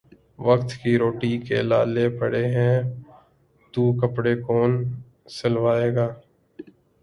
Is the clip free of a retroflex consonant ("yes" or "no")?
no